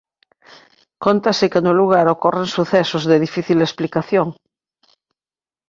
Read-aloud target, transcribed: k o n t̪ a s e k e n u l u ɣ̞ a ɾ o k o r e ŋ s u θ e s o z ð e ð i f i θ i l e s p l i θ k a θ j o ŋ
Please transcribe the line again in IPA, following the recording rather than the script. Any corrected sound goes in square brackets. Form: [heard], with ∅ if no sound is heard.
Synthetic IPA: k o n t̪ a s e k e n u l u ɣ̞ a ɾ o k o r e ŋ s u θ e s o z ð e ð i f i θ i l e s p l i [∅] k a θ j o ŋ